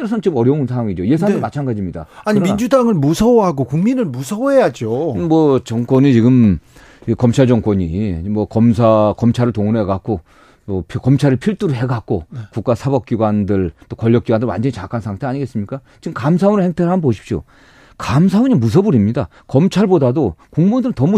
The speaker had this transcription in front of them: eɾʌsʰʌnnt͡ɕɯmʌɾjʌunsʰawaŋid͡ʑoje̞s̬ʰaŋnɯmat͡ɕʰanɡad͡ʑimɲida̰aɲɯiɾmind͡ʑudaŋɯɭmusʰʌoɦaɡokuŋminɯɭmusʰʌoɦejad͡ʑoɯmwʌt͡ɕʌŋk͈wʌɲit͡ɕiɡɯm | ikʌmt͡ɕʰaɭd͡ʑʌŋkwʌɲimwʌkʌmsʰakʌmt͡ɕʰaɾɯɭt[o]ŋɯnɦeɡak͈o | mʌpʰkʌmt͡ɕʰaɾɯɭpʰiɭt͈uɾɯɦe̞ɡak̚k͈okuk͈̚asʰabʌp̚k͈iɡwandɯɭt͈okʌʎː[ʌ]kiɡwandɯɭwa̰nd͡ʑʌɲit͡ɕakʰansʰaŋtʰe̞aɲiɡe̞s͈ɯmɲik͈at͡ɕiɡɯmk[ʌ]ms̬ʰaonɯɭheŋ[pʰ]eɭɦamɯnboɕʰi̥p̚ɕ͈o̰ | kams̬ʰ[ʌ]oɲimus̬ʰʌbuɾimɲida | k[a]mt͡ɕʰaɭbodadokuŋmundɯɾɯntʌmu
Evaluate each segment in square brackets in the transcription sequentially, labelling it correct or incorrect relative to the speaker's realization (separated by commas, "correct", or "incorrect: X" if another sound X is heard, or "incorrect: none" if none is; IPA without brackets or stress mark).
correct, correct, incorrect: a, incorrect: tʰ, incorrect: a, incorrect: ʌ